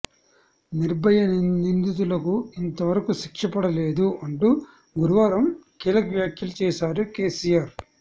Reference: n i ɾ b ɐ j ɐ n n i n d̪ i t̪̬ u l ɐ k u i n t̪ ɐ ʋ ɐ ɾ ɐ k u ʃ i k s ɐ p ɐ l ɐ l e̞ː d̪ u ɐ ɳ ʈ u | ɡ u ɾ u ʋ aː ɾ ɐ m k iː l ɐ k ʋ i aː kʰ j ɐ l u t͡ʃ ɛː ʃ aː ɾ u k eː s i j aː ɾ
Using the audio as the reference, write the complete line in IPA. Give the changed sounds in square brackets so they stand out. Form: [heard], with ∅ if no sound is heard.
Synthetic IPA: n i ɾ b ɐ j ɐ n n i n d̪ i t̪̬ u l ɐ k u i n t̪ ɐ ʋ ɐ ɾ ɐ k u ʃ i k [ʂ] ɐ p ɐ [ɽ] ɐ l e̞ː d̪ u ɐ ɳ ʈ u | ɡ u ɾ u ʋ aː ɾ ɐ m k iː l ɐ k ʋ [j] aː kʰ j ɐ l u t͡ʃ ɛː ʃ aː ɾ u k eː s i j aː ɾ